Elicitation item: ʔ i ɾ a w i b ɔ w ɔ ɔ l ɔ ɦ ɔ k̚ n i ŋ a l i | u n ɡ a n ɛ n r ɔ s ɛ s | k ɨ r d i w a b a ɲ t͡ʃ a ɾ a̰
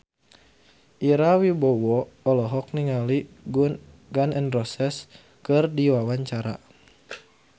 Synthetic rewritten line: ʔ i ɾ a w i b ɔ w ɔ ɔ l ɔ ɦ ɔ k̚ n i ŋ a l i | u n ɡ a n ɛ n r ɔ s ɛ s | k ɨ r d i w a w a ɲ t͡ʃ a ɾ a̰